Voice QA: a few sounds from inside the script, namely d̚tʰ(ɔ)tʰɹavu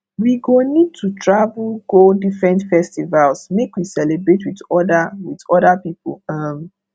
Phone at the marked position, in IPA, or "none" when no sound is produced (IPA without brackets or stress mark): u